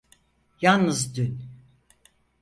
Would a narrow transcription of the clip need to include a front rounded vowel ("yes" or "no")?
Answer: yes